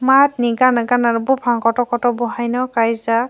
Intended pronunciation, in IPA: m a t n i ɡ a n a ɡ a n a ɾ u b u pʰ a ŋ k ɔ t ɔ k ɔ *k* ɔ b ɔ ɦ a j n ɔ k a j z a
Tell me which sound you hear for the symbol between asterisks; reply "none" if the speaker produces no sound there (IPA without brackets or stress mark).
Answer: t